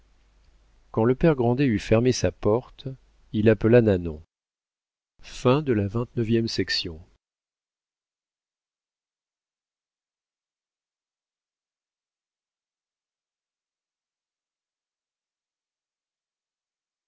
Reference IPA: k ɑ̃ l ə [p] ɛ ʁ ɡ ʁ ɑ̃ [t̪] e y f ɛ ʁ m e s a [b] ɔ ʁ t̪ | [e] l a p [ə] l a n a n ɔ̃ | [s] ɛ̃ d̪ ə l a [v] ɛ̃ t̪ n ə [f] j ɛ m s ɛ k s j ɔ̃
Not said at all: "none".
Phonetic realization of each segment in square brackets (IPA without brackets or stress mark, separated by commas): p, d̪, p, i, ə, f, v, v